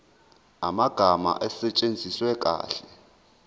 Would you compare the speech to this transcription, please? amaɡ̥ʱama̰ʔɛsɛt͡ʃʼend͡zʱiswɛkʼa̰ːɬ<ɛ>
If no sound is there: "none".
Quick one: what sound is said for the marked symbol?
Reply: ɛ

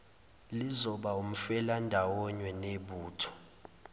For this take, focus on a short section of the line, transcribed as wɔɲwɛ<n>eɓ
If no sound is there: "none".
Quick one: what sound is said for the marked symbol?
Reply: n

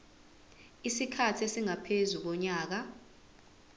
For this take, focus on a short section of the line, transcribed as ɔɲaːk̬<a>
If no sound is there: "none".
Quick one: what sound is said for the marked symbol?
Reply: a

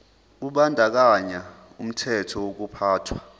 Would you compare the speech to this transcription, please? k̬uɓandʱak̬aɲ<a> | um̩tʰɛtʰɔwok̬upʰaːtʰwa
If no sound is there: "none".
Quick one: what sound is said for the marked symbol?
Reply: a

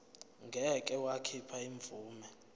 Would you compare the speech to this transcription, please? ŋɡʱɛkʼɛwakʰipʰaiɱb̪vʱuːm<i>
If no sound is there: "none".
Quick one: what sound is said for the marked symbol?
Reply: ɛ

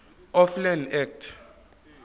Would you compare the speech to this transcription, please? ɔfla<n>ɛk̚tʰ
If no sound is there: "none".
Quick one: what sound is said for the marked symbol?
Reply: n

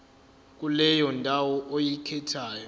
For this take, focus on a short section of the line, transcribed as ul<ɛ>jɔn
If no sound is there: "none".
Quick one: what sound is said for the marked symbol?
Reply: ɛ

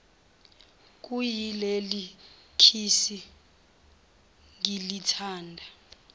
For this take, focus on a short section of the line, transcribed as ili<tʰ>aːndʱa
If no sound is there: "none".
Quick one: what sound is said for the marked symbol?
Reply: tʰ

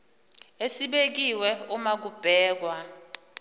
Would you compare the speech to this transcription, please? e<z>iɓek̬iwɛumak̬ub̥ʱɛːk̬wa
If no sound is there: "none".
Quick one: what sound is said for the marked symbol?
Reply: s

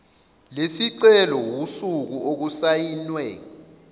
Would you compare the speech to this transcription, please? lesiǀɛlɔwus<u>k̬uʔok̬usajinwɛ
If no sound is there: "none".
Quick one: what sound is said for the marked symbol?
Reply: u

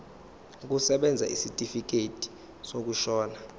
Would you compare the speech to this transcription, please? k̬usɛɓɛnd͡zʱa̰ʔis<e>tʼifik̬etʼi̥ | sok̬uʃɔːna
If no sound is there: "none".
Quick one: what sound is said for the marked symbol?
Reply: i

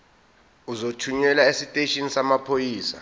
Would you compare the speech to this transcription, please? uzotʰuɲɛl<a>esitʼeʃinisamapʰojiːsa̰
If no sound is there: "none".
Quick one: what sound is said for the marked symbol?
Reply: a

